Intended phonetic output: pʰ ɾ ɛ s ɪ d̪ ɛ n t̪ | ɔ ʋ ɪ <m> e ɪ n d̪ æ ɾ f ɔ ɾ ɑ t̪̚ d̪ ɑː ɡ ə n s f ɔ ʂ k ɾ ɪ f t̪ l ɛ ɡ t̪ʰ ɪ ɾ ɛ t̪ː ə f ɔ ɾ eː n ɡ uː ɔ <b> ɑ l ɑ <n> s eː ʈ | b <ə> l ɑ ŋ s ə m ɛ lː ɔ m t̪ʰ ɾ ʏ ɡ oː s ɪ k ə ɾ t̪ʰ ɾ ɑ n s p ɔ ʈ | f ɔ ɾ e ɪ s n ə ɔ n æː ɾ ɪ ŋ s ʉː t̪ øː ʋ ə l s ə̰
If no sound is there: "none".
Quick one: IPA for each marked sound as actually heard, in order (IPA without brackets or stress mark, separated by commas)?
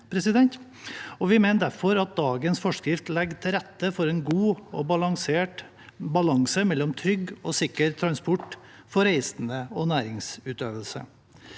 m, b, ŋ, ɑ